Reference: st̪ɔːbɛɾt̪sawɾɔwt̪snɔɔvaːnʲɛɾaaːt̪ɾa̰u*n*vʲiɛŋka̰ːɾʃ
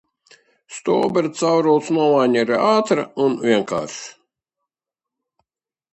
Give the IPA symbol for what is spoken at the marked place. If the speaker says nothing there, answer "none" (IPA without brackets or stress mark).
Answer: n